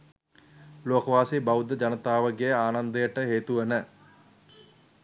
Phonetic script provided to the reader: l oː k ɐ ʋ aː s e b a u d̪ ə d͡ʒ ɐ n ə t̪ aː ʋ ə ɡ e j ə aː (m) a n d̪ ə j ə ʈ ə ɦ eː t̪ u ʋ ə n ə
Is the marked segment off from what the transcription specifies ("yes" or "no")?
yes